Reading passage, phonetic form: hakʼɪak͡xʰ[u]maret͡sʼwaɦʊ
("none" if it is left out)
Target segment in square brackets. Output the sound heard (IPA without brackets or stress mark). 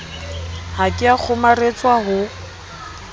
ʊ